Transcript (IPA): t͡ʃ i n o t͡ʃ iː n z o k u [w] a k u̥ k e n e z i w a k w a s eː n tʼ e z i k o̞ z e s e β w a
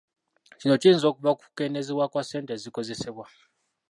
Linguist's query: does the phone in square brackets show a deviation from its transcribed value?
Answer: yes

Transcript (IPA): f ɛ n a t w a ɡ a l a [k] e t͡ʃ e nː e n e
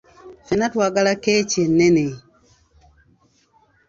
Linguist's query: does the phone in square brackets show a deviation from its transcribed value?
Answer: no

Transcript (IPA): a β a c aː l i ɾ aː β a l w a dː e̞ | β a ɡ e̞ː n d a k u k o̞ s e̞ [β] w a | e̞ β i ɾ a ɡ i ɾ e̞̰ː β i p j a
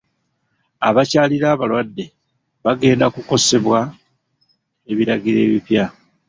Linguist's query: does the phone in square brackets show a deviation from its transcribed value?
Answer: no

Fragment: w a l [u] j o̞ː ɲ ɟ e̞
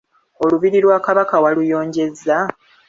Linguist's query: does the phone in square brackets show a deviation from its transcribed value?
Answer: no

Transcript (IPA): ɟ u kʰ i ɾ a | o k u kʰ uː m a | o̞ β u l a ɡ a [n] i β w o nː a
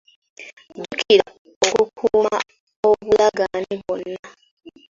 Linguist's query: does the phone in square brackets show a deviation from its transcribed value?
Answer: no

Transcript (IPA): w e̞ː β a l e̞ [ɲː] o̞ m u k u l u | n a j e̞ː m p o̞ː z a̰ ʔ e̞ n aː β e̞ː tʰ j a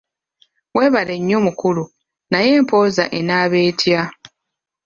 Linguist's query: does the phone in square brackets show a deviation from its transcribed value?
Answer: no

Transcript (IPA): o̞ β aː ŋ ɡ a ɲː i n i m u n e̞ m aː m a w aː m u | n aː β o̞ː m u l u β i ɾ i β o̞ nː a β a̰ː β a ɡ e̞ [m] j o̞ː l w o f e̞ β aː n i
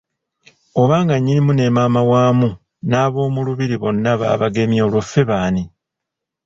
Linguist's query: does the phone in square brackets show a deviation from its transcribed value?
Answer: no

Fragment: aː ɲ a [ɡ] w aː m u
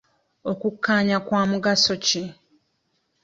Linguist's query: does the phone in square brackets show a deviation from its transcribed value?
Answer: yes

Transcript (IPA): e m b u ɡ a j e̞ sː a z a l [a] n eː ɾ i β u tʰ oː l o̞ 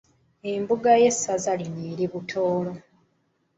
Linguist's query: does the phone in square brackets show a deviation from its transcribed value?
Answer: yes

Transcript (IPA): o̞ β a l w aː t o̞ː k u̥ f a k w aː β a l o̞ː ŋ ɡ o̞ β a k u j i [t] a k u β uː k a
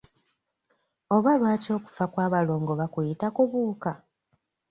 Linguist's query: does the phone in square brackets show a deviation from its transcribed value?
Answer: no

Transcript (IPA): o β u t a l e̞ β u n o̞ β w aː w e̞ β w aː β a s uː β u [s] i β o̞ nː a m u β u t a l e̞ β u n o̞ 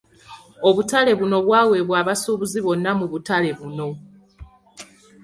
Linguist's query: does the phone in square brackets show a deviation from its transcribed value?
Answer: yes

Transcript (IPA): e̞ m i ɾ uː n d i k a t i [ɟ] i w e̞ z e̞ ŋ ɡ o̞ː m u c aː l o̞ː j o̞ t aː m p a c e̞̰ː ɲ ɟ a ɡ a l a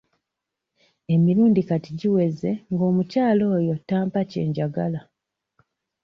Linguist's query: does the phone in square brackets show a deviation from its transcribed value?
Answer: no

